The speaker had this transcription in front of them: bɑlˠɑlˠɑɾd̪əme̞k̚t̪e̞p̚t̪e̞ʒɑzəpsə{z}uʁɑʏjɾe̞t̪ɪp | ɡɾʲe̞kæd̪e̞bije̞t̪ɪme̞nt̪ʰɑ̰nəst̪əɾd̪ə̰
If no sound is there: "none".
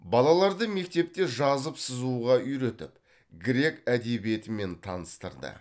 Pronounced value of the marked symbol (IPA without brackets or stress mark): z